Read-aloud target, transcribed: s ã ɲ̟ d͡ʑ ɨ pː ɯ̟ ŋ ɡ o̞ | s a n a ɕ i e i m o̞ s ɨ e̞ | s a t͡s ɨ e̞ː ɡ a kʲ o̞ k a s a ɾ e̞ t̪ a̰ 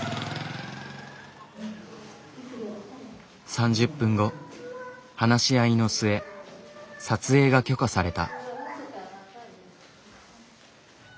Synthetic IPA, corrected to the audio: s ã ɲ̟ d͡ʑ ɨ pː ɯ̟̃ ŋ ɡ o̞ | h a n a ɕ i a i n o̞ s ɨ e̞ | s a t͡s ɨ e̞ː ɡ a kʲ o̞ k a s a ɾ e̞ t̪ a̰